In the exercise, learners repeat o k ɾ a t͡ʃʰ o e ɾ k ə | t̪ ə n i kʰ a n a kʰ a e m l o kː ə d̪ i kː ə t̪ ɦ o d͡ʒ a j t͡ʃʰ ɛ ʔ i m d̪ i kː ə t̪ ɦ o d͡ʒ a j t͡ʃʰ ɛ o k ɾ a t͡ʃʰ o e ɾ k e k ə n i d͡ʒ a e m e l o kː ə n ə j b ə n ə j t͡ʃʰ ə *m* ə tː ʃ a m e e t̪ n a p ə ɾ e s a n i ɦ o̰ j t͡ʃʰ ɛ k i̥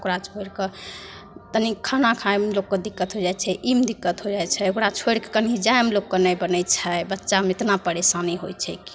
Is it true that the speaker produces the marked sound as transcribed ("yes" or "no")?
no